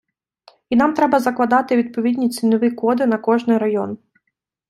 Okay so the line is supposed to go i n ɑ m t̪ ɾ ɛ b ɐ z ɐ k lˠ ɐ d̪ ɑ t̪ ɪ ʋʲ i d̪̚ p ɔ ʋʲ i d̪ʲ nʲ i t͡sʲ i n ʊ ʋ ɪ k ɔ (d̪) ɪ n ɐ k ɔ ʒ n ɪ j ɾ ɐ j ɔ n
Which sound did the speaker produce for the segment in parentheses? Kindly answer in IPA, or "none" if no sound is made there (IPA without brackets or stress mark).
d̪